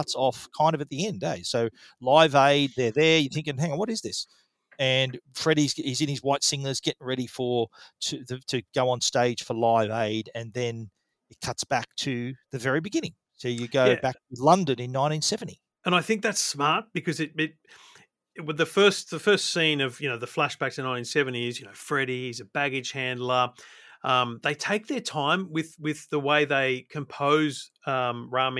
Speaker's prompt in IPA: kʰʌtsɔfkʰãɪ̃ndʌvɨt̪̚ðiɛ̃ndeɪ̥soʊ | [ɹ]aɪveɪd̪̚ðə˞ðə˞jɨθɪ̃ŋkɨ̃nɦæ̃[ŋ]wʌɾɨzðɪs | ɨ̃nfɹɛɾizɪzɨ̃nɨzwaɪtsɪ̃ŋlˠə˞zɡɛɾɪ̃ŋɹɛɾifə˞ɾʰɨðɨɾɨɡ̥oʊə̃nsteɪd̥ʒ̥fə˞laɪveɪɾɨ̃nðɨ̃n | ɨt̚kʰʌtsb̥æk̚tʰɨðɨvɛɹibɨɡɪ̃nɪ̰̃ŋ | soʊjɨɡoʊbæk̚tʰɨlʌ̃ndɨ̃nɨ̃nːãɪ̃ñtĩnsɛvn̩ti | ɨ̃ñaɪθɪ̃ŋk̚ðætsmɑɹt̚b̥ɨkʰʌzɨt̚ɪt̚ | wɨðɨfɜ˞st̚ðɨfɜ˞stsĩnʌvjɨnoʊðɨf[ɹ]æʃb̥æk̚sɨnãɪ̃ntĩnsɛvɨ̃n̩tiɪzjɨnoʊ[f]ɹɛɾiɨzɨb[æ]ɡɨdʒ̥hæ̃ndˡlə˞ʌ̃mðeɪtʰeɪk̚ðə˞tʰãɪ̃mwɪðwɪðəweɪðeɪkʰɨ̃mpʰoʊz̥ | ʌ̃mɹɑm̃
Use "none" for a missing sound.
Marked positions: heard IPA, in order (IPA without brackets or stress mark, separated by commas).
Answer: l, ŋ, l, f, æ